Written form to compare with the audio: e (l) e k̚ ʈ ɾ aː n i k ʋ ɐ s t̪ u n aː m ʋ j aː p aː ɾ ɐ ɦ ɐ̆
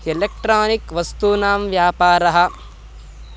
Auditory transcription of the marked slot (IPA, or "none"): l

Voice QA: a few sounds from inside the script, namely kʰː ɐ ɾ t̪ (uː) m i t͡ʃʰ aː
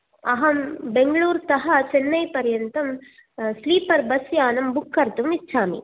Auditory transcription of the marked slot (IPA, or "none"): u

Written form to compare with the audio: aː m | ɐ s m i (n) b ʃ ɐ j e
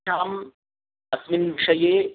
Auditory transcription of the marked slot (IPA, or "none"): n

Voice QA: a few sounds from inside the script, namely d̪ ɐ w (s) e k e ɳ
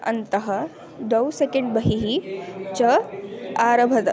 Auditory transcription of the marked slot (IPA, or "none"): s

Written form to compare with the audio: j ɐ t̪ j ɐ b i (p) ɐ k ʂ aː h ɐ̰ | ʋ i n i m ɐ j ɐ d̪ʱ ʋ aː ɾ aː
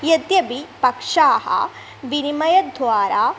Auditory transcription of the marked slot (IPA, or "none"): p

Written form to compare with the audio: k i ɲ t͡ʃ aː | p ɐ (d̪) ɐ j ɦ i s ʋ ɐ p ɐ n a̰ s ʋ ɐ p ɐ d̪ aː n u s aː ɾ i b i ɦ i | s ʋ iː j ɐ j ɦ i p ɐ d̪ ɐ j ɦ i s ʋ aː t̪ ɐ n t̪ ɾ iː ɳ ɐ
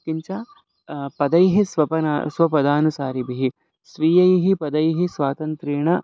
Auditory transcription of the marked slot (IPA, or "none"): d̪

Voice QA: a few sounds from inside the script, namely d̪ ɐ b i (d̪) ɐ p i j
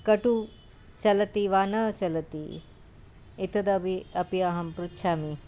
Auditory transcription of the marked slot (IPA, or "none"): none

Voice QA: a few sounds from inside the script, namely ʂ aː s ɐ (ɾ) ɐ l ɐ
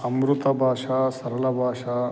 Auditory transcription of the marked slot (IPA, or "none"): ɾ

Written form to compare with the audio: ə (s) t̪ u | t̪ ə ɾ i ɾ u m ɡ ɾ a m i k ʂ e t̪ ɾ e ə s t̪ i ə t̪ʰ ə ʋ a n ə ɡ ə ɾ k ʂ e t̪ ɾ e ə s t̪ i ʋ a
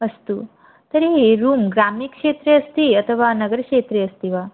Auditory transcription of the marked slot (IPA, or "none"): s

